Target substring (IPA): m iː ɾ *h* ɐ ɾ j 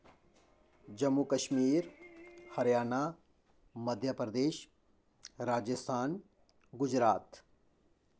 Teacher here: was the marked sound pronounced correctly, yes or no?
yes